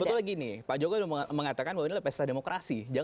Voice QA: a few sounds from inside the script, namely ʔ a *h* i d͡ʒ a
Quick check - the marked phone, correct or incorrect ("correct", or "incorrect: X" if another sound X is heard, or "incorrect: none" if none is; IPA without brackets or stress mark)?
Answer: incorrect: s